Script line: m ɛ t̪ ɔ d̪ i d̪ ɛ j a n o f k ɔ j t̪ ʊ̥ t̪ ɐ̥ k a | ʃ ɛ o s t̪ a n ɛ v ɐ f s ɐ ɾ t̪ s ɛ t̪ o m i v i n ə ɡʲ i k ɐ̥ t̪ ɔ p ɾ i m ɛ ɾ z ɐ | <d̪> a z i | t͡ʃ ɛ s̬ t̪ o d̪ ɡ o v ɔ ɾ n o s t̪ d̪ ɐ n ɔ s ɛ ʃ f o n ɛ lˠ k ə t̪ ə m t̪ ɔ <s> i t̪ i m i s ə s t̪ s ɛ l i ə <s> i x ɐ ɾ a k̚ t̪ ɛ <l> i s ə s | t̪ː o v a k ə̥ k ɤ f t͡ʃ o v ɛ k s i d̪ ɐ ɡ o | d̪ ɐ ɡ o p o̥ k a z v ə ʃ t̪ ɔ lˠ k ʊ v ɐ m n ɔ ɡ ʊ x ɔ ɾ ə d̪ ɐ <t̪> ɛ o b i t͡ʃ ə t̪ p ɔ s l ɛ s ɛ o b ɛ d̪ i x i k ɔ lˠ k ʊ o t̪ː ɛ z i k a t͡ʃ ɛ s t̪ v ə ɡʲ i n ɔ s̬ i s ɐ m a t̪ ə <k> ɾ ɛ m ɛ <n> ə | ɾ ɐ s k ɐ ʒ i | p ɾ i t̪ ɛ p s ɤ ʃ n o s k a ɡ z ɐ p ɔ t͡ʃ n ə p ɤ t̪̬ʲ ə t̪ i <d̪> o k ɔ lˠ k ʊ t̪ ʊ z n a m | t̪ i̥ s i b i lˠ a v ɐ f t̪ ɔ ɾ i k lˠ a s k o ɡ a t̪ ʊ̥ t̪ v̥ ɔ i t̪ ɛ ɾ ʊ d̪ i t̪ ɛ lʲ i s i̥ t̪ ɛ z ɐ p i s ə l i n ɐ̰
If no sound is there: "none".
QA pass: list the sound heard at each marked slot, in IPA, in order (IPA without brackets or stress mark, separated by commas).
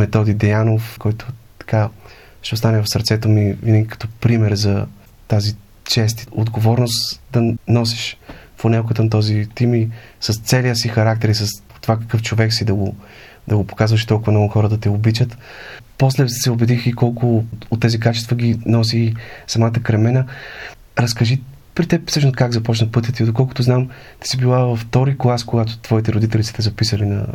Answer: t̪, z, s, ɾ, t̪, k, n, d̪